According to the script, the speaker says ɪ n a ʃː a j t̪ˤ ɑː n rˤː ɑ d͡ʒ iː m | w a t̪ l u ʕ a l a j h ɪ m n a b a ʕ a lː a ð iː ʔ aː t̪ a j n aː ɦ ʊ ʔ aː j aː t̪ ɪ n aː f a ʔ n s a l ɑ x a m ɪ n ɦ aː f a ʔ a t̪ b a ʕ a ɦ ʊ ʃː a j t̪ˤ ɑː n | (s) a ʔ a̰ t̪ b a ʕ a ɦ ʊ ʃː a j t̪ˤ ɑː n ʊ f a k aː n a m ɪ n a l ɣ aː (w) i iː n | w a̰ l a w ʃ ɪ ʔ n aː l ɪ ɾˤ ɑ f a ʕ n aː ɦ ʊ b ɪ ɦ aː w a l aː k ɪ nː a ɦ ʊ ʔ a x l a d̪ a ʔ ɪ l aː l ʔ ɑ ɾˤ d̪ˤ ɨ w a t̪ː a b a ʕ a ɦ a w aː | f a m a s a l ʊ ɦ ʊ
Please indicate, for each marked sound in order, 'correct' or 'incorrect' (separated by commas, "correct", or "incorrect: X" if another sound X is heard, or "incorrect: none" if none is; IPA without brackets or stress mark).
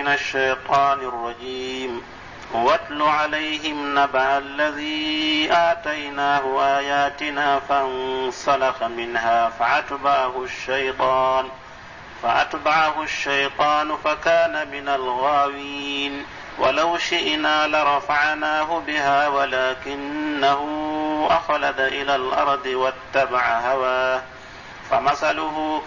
incorrect: f, correct